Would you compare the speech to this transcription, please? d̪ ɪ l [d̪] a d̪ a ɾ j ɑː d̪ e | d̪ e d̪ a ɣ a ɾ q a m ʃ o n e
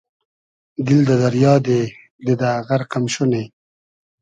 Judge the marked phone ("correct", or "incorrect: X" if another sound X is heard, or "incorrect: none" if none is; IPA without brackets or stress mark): correct